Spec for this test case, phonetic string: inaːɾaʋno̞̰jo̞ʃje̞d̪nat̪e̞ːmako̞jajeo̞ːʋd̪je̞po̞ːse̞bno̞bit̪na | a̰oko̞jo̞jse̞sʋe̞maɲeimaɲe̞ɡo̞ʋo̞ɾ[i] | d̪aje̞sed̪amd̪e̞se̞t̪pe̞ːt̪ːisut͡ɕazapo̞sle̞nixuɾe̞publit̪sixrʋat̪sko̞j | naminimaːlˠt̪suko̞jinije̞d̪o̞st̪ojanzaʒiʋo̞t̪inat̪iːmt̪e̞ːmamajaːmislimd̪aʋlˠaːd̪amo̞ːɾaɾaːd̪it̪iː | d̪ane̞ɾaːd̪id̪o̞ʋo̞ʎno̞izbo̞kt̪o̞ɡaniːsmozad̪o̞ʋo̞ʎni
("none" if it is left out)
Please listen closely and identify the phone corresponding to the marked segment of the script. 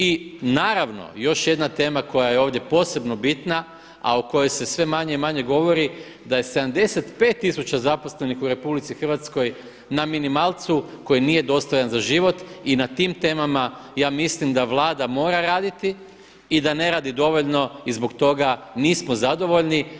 i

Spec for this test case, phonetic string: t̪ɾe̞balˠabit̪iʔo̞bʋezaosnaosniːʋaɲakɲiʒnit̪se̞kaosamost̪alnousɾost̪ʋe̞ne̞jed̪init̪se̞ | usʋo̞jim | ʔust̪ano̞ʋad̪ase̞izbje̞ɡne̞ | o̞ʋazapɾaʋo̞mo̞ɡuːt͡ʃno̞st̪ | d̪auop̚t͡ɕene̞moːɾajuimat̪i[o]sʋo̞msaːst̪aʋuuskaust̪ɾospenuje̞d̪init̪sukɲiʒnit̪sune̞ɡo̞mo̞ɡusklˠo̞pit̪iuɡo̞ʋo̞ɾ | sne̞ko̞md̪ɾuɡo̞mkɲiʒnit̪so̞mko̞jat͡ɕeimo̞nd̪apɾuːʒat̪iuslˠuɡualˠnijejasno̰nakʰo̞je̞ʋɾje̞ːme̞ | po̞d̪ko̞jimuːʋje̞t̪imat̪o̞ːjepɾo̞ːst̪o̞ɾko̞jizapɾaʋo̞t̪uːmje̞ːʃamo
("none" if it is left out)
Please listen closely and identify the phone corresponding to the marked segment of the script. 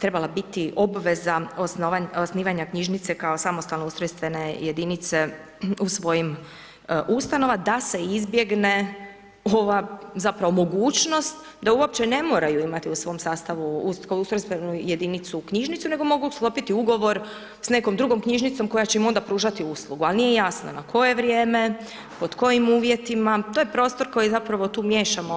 u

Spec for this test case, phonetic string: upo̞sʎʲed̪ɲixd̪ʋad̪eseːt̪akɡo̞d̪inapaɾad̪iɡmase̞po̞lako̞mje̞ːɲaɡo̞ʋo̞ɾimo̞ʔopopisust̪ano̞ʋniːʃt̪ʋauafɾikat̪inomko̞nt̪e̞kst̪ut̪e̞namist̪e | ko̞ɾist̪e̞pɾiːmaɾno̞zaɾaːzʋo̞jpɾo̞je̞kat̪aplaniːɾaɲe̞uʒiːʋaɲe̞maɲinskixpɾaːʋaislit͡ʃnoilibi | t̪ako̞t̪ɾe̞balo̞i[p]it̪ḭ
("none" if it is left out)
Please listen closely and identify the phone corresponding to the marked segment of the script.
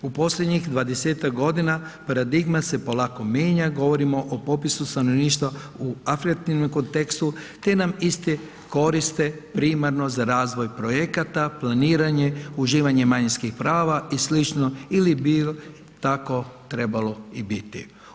b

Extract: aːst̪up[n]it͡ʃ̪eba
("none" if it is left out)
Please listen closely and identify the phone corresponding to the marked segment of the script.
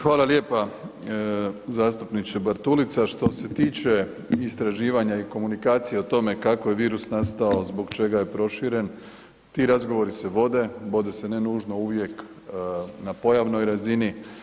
n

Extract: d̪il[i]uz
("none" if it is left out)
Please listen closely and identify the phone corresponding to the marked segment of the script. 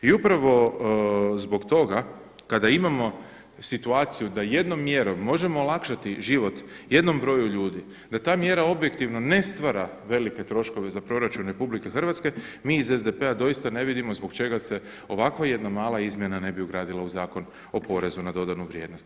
a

